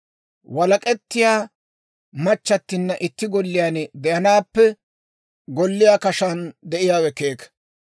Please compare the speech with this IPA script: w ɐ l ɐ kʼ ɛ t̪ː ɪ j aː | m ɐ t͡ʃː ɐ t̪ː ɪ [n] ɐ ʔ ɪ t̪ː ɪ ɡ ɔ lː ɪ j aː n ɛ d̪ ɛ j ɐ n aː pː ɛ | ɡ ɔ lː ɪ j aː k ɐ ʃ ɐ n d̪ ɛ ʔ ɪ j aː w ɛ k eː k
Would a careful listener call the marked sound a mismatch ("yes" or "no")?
yes